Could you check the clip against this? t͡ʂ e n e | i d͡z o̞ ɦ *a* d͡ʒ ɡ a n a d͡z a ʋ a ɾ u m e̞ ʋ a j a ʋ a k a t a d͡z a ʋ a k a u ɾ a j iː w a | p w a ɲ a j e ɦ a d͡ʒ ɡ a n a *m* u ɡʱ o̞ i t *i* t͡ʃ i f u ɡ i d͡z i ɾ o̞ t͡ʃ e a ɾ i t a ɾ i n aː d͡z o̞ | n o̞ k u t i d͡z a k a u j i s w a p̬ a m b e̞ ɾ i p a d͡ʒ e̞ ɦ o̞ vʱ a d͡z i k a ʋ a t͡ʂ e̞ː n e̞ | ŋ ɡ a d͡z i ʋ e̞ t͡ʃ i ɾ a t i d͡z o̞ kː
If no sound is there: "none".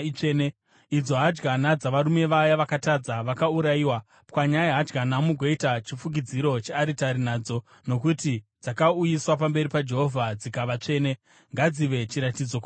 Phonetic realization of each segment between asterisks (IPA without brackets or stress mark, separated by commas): a, m, a